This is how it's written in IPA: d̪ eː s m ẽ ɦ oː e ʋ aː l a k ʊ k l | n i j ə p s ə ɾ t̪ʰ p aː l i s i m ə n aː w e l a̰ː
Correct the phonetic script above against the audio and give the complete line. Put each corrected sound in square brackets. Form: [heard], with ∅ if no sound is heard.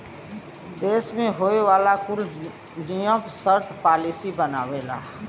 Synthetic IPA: d̪ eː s m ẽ ɦ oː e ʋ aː l a k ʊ [∅] l | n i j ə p s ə ɾ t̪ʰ p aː l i s i [b] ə n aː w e l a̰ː